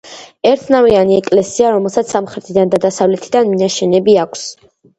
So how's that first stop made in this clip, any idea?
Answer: aspirated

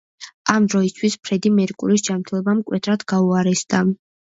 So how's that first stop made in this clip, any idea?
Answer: plain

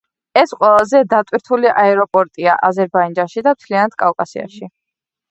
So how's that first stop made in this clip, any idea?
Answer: ejective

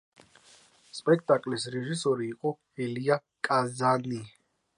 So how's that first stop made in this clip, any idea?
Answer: ejective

